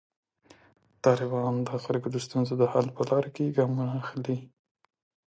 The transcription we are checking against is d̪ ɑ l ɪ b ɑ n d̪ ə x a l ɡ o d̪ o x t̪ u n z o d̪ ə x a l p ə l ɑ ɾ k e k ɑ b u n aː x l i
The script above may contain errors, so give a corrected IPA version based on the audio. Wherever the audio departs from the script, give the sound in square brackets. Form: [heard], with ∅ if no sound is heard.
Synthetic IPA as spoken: [t̪] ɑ l ɪ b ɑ n d̪ ə x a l ɡ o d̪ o [s] t̪ u n z o d̪ ə [h] a l p ə l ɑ ɾ k e [ɡ] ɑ [m] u n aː x l i